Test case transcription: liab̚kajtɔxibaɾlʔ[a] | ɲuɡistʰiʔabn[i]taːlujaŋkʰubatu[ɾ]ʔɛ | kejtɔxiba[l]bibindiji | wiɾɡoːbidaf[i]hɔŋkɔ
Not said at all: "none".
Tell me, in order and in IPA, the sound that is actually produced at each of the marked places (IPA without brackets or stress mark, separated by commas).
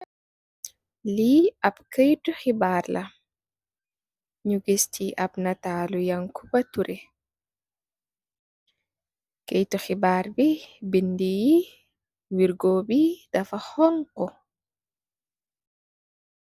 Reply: a, a, ɾ, ɾ, a